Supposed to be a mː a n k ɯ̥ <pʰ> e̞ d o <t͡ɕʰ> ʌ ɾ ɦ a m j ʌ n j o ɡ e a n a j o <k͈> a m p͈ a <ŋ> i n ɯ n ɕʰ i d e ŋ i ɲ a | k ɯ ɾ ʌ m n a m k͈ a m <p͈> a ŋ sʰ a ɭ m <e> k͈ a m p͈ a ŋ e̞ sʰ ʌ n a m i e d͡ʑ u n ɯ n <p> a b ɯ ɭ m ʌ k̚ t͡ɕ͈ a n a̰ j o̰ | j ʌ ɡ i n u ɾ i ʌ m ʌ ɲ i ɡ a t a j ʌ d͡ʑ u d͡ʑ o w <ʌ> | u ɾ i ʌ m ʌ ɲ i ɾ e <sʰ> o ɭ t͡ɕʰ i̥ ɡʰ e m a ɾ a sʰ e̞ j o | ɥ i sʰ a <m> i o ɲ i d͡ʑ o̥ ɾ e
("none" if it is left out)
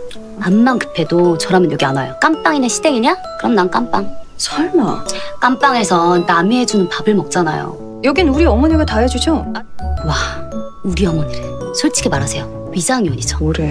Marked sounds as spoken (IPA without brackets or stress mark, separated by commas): pʰ, t͡ɕ, k͈, ŋ, p͈, a, p, a, sʰ, ŋ